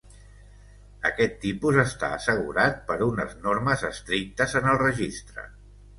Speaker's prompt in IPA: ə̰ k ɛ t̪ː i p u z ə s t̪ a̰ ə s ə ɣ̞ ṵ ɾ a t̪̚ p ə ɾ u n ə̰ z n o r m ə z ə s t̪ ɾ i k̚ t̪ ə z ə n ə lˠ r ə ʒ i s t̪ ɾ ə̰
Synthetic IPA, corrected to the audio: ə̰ k ɛ t̪ː i p u z ə s t̪ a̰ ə s ə ɣ̞ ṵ ɾ a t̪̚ p ə ɾ u n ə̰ z n o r m ə z ə s t̪ ɾ i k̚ t̪ ə z ə n ə lˠ r ə ʒ i s t̪ ɾ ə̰